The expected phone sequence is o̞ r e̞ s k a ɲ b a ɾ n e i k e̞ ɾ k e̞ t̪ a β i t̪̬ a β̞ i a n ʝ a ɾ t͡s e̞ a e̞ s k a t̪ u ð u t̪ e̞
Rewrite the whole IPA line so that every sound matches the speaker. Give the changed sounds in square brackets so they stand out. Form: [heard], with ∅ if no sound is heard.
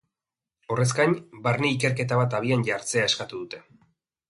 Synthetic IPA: o̞ r e̞ s k a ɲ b a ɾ n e i k e̞ ɾ k e̞ t̪ a β [a] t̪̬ a β̞ i a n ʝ a ɾ t͡s e̞ a e̞ s k a t̪ u ð u t̪ e̞